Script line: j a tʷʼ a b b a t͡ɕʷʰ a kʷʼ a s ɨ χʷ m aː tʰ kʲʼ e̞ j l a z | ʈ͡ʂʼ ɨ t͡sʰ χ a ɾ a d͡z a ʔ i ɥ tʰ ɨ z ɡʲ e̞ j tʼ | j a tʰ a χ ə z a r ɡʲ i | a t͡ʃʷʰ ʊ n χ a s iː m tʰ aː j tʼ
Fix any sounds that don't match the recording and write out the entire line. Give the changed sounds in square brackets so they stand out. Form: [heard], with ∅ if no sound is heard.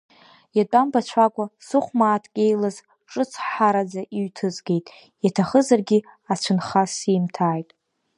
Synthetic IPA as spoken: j a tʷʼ a [m] b a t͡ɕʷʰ a kʷʼ a s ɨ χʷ m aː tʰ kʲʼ e̞ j l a z | ʈ͡ʂʼ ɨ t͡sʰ [ħ] a ɾ a d͡z a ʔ i ɥ tʰ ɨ z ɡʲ e̞ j tʼ | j a tʰ a χ ə z a r ɡʲ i | a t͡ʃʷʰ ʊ n χ a s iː m tʰ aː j tʼ